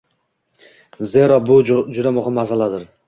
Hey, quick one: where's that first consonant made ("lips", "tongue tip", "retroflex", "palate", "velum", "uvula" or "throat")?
tongue tip